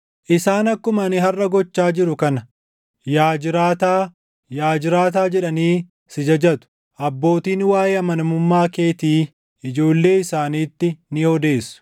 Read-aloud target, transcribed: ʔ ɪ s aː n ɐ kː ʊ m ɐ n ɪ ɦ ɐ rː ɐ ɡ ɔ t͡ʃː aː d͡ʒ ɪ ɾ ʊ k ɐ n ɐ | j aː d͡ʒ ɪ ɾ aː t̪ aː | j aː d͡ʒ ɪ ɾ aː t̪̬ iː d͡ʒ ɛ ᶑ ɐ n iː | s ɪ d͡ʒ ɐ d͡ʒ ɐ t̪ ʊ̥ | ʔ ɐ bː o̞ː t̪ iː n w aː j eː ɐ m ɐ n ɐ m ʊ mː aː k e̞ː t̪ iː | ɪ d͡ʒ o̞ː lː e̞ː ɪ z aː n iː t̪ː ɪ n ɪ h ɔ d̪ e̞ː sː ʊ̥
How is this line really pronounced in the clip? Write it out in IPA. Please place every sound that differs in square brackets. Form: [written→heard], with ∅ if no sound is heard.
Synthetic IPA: ʔ ɪ s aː n ɐ kː ʊ m ɐ n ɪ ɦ ɐ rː ɐ ɡ ɔ t͡ʃː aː d͡ʒ ɪ ɾ ʊ k ɐ n ɐ | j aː d͡ʒ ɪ ɾ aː t̪ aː | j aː d͡ʒ ɪ ɾ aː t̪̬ [iː→aː] d͡ʒ ɛ ᶑ ɐ n iː | s ɪ d͡ʒ ɐ d͡ʒ ɐ t̪ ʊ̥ | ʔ ɐ bː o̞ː t̪ iː n w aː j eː ɐ m ɐ n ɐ m ʊ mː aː k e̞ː t̪ iː | ɪ d͡ʒ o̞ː lː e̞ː ɪ [z→s] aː n iː t̪ː ɪ n ɪ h ɔ d̪ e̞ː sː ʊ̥